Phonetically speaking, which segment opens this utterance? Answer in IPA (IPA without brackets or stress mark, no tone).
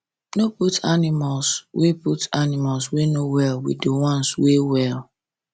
n